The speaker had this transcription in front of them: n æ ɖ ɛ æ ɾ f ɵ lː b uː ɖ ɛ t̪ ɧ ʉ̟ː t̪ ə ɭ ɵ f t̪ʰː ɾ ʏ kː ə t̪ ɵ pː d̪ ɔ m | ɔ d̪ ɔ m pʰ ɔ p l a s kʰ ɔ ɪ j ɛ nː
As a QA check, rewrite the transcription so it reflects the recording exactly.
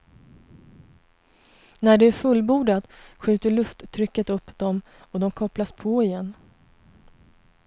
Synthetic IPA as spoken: n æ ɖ ɛ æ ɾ f ɵ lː b uː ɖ a t̪ ɧ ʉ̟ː t̪ ə ɭ ɵ f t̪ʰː ɾ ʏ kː ə t̪ ɵ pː d̪ ɔ m | ɔ d̪ ɔ m kʰ ɔ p l a s pʰ ɔ ɪ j ɛ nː